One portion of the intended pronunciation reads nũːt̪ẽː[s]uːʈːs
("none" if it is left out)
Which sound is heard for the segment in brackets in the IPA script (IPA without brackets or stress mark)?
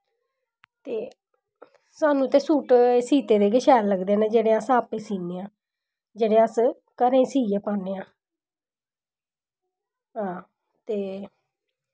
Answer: s